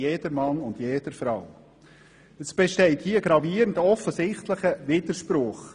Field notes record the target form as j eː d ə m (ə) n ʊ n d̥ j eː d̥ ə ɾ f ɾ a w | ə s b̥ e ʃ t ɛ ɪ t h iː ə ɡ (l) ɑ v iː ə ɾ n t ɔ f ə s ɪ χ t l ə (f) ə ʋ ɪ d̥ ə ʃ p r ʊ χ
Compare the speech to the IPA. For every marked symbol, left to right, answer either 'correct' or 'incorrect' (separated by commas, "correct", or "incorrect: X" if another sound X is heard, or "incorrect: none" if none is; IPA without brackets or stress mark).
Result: incorrect: ɑ, incorrect: ɾ, incorrect: χ